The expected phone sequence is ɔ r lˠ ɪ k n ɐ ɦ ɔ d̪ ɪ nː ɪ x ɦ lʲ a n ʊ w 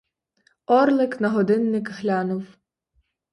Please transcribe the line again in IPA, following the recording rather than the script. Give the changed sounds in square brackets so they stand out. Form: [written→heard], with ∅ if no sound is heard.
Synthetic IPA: ɔ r lˠ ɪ k n ɐ ɦ ɔ d̪ ɪ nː ɪ [x→k] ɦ lʲ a n ʊ w